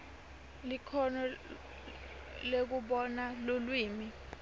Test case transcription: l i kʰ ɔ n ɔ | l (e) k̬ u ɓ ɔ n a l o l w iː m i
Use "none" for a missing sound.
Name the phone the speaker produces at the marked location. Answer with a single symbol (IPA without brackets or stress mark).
e